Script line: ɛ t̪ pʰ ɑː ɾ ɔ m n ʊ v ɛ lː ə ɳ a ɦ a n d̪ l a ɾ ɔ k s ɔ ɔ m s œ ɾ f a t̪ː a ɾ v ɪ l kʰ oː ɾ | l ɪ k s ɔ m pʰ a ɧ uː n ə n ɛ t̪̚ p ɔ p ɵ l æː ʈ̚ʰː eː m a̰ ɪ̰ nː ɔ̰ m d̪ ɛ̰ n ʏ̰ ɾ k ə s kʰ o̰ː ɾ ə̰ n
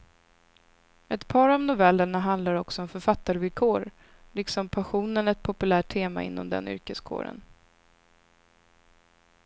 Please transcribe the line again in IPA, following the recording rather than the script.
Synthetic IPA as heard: ɛ t̪ pʰ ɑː ɾ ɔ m n ʊ v ɛ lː ə ɳ a ɦ a n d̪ l a ɾ ɔ k s ɔ ɔ m f œ ɾ f a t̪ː a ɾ v ɪ l kʰ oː ɾ | l ɪ k s ɔ m pʰ a ɧ uː n ə n ɛ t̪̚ pʰ ɔ p ɵ l æː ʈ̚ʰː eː m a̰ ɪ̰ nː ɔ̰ m d̪ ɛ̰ n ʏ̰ ɾ k ə s kʰ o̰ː ɾ ə̰ n